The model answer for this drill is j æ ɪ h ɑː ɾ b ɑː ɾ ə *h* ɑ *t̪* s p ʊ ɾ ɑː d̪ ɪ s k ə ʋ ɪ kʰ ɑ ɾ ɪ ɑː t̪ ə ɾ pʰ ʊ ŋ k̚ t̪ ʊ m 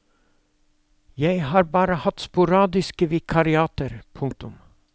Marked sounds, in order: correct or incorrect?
correct, correct

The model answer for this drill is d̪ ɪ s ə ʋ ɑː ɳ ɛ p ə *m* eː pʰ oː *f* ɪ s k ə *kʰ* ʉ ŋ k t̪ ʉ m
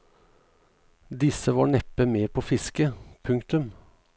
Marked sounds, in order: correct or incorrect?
correct, correct, incorrect: pʰ

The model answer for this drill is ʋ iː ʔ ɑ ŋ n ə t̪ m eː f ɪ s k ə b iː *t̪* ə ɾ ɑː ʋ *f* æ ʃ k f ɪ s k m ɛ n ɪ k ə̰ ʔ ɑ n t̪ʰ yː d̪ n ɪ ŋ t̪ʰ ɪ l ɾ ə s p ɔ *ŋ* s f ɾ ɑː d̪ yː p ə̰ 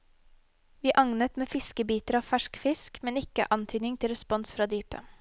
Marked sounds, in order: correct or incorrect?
correct, correct, incorrect: n

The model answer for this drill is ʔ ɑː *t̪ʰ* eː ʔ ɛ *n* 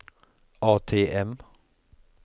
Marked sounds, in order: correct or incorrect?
correct, incorrect: m

